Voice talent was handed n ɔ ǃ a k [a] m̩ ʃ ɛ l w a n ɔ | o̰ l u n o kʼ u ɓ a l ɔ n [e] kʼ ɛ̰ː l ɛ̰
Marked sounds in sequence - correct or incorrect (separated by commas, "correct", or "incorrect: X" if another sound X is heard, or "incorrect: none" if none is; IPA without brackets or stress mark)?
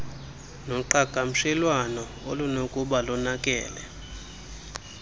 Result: correct, incorrect: a